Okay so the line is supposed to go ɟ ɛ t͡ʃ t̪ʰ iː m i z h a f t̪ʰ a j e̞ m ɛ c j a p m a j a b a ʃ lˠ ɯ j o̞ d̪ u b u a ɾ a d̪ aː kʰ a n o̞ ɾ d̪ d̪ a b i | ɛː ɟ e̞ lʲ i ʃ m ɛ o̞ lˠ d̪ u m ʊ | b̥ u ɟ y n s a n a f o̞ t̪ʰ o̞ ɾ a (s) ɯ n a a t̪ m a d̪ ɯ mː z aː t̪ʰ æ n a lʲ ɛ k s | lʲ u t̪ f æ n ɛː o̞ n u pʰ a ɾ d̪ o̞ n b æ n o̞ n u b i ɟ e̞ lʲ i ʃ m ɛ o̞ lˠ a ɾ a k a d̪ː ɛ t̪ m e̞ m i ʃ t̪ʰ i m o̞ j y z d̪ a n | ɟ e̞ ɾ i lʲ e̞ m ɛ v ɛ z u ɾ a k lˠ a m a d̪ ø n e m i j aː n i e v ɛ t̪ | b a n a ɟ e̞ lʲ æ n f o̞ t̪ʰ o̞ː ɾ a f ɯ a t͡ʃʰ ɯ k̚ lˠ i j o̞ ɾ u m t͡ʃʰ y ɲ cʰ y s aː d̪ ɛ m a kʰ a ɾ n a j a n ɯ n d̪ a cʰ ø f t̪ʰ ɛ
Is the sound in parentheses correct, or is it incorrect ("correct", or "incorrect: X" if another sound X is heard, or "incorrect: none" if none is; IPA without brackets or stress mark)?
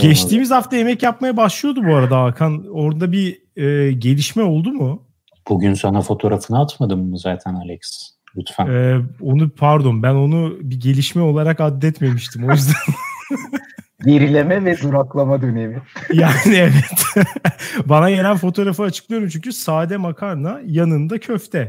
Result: incorrect: f